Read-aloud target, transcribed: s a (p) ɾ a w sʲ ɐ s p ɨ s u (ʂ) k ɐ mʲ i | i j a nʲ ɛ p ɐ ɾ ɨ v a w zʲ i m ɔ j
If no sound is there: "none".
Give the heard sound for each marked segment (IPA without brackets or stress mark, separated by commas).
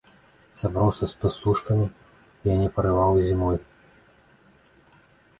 b, ʂ